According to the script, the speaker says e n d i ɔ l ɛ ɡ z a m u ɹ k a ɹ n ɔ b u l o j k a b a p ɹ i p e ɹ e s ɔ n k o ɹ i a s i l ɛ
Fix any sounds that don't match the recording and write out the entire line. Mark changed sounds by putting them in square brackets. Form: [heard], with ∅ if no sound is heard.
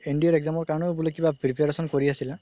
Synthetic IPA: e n d i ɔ [ɹ] ɛ ɡ z a m [ɔ] ɹ k a ɹ n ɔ b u l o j k [i] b a p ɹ i p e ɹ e s ɔ n k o ɹ i a s i l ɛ